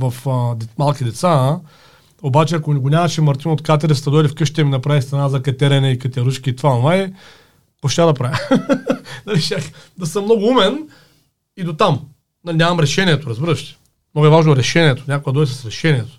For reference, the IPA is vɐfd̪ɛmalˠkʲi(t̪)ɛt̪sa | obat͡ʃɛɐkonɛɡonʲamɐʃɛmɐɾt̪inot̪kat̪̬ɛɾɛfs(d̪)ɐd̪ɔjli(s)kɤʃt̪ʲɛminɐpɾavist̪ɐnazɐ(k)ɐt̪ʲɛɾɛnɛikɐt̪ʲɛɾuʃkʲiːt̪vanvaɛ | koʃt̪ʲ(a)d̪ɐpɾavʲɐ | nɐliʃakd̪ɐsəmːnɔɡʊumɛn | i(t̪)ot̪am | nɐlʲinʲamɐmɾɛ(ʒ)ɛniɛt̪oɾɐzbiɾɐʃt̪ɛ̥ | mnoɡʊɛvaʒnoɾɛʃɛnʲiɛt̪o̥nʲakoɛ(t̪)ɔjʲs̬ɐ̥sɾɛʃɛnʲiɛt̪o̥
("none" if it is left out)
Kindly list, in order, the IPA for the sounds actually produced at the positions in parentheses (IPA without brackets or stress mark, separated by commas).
d̪, t̪, f, k, a, d̪, ʃ, d̪